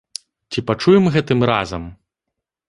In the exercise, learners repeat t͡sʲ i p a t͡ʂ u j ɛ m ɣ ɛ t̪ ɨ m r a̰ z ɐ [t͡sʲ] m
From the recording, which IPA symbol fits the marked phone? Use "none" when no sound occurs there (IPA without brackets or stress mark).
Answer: none